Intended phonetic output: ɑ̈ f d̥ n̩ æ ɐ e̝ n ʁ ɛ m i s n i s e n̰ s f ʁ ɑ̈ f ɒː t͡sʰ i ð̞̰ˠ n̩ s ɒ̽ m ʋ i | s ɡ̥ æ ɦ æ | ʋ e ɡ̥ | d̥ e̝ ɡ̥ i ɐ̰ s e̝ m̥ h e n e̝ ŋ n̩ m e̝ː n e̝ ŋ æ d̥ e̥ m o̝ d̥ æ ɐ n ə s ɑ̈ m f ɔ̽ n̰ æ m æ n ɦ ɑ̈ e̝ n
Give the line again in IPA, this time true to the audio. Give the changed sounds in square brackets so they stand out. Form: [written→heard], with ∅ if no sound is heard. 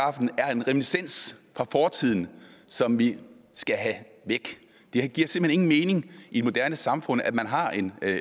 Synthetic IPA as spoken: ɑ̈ f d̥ n̩ æ ɐ e̝ n ʁ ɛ m i [s→∅] n i s e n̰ s f ʁ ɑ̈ f ɒː t͡sʰ i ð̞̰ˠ n̩ s ɒ̽ m ʋ i | s ɡ̥ æ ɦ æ | ʋ e ɡ̥ | d̥ e̝ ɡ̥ i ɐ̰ s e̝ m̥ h e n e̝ ŋ n̩ m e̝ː n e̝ ŋ [æ→i] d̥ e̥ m o̝ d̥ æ ɐ n ə s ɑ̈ m f ɔ̽ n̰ æ m æ n ɦ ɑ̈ e̝ n